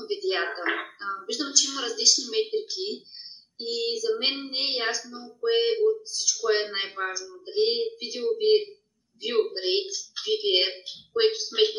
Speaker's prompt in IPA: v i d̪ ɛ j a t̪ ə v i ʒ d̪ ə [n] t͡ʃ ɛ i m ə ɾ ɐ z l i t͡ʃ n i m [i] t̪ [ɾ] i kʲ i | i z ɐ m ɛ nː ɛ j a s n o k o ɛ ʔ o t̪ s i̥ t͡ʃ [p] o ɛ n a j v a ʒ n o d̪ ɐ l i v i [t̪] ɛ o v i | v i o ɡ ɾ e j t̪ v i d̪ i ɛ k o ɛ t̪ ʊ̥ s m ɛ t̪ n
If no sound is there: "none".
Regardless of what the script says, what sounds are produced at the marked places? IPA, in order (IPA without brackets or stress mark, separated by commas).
m, ɛ, ɾ, k, d̪